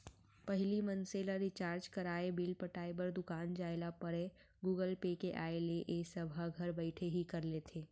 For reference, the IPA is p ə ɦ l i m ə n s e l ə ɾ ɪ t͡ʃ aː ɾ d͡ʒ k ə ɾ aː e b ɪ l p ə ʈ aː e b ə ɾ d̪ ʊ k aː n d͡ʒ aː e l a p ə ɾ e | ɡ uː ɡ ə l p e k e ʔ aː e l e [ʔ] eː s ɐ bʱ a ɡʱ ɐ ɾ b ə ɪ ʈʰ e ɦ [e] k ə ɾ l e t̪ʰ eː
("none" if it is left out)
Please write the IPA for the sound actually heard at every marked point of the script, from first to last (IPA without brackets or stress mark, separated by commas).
ʔ, i